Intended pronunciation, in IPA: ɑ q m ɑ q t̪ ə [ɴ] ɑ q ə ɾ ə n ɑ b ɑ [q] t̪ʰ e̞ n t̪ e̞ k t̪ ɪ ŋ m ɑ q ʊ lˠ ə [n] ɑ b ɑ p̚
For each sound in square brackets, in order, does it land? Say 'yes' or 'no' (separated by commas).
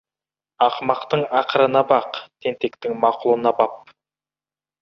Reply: yes, yes, yes